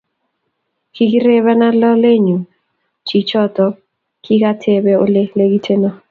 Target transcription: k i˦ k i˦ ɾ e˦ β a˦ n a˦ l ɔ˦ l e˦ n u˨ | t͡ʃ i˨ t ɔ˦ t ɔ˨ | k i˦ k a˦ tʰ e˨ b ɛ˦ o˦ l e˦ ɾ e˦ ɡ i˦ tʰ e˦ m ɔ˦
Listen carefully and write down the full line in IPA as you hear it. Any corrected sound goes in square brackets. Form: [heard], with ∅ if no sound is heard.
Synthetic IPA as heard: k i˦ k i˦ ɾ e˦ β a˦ n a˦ l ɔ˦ l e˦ [ɲ] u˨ | t͡ʃ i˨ [t͡ʃ] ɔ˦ t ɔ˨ | k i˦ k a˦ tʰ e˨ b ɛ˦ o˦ l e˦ [l] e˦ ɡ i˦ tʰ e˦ [n] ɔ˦